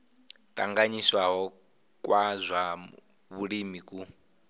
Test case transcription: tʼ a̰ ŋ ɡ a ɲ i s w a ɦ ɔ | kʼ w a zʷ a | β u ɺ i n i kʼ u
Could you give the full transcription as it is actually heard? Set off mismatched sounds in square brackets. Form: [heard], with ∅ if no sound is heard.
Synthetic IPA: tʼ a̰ ŋ ɡ a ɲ i s w a ɦ ɔ | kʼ w a zʷ a | β u ɺ i [m] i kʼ u